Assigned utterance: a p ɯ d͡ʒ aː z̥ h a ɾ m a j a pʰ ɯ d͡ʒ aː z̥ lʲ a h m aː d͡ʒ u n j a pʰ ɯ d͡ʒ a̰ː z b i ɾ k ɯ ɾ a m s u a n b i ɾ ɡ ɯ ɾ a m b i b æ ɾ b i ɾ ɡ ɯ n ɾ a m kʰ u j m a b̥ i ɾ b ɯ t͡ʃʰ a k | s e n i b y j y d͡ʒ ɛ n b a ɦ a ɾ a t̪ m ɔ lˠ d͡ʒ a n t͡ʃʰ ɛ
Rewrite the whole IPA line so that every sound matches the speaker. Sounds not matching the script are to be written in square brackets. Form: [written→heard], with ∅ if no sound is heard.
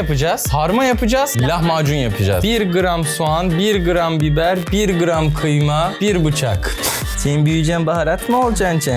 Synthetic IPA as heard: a p ɯ d͡ʒ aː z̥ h a ɾ m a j a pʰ ɯ d͡ʒ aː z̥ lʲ a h m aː d͡ʒ u n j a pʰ ɯ d͡ʒ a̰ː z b i ɾ [k→ɡ] ɯ ɾ a m s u a n b i ɾ ɡ ɯ ɾ a m b i b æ ɾ b i ɾ ɡ ɯ [n→∅] ɾ a m kʰ [u→ɯ] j m a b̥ i ɾ b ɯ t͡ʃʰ a k | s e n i b y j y d͡ʒ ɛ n b a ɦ a ɾ a t̪ m [ɔ→o] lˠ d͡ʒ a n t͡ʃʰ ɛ

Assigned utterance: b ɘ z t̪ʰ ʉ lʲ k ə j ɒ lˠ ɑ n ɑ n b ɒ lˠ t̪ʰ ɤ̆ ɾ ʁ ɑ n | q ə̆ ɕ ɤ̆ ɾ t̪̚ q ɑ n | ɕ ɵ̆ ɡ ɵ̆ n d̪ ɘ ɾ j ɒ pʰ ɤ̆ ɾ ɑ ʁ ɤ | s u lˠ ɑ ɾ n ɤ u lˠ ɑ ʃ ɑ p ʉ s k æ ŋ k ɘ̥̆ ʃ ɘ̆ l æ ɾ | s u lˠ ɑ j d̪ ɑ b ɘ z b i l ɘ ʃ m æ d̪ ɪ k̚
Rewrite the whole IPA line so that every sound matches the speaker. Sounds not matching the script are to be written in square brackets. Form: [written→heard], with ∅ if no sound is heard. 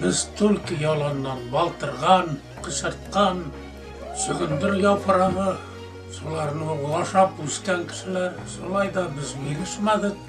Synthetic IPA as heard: b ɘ z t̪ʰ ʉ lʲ k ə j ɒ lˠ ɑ [n→nː] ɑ n b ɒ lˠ [t̪ʰ→t̪] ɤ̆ ɾ ʁ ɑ n | q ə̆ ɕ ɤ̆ ɾ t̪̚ q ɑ n | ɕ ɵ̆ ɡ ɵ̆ n d̪ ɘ ɾ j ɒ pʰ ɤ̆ ɾ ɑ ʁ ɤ | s u lˠ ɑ ɾ n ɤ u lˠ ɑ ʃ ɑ p ʉ s k æ ŋ k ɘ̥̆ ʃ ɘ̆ l æ ɾ | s u lˠ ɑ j d̪ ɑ b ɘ z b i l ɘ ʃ m æ d̪ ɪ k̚

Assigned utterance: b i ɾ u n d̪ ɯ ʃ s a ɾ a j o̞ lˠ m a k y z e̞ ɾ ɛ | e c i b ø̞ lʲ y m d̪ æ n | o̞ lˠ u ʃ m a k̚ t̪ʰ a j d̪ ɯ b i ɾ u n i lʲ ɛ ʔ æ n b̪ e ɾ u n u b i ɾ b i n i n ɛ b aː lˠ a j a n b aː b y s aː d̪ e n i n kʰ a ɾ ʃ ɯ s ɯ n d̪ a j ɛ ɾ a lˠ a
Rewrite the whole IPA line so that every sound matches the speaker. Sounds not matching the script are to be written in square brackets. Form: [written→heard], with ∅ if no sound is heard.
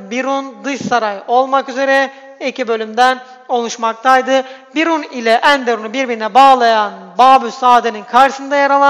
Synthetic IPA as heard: b i ɾ u n d̪ ɯ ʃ s a ɾ a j o̞ lˠ m a k y z e̞ ɾ ɛ | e c i b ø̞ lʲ y m d̪ æ n | o̞ lˠ u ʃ m a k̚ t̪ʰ a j d̪ ɯ b i ɾ u n i lʲ ɛ ʔ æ n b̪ e ɾ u n u b i ɾ b i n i n ɛ b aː lˠ a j a n b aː b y s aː d̪ e n i n kʰ a ɾ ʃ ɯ s ɯ n d̪ a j [ɛ→a] ɾ a lˠ a

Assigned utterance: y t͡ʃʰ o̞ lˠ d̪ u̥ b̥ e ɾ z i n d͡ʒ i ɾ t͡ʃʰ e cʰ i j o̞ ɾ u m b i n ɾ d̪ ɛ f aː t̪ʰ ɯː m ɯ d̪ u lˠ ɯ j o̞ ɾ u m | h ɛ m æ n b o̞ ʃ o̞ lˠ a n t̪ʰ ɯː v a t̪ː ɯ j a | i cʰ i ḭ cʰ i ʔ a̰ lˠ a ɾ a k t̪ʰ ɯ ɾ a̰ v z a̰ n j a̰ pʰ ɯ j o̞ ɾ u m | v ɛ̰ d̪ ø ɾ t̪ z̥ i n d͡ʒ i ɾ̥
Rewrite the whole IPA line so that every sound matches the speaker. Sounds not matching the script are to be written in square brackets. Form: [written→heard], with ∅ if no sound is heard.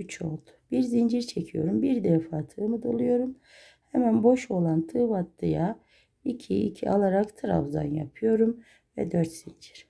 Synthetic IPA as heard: y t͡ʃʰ o̞ lˠ d̪ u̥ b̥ [e→i] ɾ z i n d͡ʒ i ɾ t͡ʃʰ e cʰ i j o̞ ɾ u m b i [n→∅] ɾ d̪ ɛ f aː t̪ʰ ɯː m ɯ d̪ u lˠ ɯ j o̞ ɾ u m | h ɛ m æ n b o̞ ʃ o̞ lˠ a n t̪ʰ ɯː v a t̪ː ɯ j a | i cʰ i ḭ cʰ i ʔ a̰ lˠ a ɾ a k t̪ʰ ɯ ɾ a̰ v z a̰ n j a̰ pʰ ɯ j o̞ ɾ u m | v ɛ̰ d̪ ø ɾ t̪ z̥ i n d͡ʒ i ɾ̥

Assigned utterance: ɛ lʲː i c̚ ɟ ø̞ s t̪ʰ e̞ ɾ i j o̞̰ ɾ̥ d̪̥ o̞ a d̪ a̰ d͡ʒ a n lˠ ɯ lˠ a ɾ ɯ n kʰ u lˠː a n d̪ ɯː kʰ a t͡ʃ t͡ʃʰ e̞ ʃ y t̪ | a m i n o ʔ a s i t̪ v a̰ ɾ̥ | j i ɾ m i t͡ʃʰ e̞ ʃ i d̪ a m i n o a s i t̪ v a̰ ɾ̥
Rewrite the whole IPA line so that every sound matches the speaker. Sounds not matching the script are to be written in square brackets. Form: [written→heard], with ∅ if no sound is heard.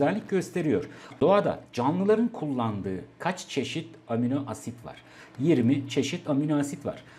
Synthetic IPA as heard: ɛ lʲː i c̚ ɟ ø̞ s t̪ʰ e̞ ɾ i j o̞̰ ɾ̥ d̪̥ o̞ a d̪ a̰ d͡ʒ a n lˠ ɯ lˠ a ɾ ɯ n kʰ u lˠː a n d̪ ɯː kʰ a t͡ʃ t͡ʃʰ e̞ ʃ [y→i] t̪ | a m i n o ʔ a s i t̪ v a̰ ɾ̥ | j i ɾ m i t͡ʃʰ e̞ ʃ i [d̪→t̪] a m i n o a s i t̪ v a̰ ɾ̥

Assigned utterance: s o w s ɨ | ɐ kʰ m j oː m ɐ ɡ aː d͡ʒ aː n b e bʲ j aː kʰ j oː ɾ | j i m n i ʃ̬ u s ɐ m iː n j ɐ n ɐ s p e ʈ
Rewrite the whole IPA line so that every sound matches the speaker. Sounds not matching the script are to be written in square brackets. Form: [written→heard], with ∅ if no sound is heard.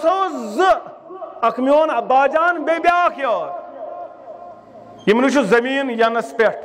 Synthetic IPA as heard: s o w [s→z] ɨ | ɐ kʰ m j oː [m→n] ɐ [ɡ→b] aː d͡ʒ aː n b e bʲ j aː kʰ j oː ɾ | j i m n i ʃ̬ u [s→z] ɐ m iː n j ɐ n ɐ s p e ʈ

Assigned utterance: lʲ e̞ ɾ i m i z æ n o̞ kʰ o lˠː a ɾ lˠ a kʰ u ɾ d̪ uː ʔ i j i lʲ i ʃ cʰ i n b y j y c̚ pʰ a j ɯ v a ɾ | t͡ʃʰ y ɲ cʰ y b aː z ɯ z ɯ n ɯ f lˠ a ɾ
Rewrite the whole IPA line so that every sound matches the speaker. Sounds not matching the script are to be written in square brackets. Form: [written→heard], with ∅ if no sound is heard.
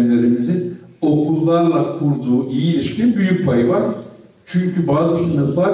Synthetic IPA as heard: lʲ e̞ ɾ i m i z [æ→i] n o̞ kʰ [o→u] lˠː a ɾ lˠ a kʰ u ɾ d̪ uː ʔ i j i lʲ i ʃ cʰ i n b y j y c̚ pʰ a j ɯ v a ɾ | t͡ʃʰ y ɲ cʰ y b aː z ɯ [z→s] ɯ n ɯ f lˠ a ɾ

